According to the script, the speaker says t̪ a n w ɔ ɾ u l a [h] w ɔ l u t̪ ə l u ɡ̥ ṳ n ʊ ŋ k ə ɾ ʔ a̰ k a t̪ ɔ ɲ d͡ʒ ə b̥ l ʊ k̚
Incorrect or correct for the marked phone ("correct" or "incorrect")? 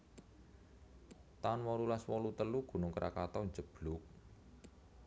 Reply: incorrect